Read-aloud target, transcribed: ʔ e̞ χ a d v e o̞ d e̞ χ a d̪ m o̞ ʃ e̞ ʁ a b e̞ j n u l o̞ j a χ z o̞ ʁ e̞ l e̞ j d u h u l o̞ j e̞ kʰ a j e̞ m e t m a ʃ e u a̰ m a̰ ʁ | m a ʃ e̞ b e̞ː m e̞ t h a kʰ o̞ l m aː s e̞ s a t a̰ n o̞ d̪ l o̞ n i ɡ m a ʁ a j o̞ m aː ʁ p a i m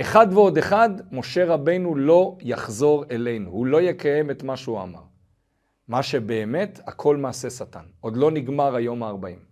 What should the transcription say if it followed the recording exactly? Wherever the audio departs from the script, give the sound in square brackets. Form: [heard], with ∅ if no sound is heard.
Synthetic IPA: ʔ e̞ χ a d v e o̞ d e̞ χ a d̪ m o̞ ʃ e̞ ʁ a b e̞ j n u l o̞ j a χ z o̞ ʁ e̞ l e̞ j [n] u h u l o̞ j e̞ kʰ a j e̞ m e t m a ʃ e u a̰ m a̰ ʁ | m a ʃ e̞ b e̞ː m e̞ t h a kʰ o̞ l m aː s e̞ s a t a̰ n o̞ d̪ l o̞ n i ɡ m a ʁ a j o̞ m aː ʁ [b] a i m